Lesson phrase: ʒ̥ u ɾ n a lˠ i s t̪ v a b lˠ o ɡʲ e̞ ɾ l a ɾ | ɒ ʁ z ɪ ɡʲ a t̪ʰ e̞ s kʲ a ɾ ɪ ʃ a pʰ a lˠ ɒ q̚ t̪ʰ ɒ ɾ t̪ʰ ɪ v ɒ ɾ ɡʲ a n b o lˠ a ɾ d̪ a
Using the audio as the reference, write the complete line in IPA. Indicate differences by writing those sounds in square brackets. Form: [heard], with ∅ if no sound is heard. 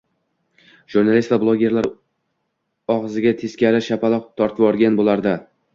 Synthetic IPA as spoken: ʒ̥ u ɾ n a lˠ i s t̪ v a b lˠ o ɡʲ e̞ ɾ l a ɾ | ɒ ʁ z ɪ ɡʲ a t̪ʰ e̞ s kʲ a ɾ ɪ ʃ a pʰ a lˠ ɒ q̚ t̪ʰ ɒ ɾ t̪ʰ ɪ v ɒ ɾ ɡʲ a n b o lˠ a ɾ d̪ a